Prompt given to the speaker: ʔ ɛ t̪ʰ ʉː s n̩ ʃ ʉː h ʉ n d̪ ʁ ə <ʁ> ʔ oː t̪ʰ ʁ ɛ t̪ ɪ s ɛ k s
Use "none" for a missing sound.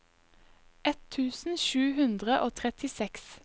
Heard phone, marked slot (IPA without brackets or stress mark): none